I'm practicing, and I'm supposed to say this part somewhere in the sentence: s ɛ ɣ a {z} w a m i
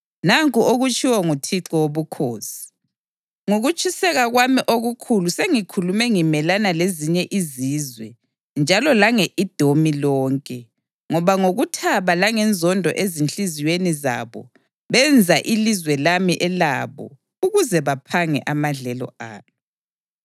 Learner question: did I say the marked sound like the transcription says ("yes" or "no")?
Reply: no